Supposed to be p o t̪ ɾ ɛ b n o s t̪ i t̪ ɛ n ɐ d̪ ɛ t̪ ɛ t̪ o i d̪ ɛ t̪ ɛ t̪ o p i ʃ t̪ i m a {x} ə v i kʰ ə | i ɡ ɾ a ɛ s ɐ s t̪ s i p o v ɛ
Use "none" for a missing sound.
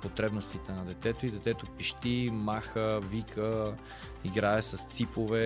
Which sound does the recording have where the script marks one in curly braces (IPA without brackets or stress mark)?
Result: x